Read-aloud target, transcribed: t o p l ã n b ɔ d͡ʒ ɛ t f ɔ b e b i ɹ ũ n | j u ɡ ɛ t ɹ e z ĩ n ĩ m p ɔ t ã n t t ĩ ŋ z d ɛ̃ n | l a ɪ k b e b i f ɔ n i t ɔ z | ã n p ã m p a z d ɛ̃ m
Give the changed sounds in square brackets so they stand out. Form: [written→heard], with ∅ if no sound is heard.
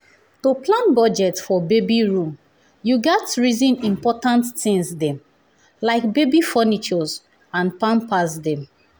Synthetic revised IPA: t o p l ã n b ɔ d͡ʒ ɛ t f ɔ b e b i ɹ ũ [n→m] | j u ɡ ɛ t ɹ [e→i] z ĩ n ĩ m p ɔ t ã n t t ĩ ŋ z d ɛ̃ [n→m] | l a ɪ k b e b i f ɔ n i [t→t͡ʃ] ɔ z | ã n p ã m p a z d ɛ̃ m